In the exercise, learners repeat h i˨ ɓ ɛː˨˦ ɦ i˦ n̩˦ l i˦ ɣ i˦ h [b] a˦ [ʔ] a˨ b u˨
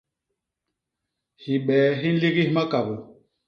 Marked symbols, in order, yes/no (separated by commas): no, no